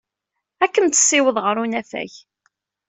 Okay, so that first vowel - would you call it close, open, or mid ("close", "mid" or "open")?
open